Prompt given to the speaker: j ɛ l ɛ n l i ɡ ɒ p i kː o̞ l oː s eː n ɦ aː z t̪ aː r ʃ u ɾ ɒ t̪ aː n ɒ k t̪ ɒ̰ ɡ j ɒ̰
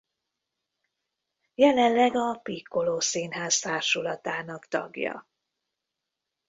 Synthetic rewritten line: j ɛ l ɛ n l ɛ ɡ ɒ p i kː o̞ l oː s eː n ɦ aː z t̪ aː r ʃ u l ɒ t̪ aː n ɒ k t̪ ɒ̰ ɡ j ɒ̰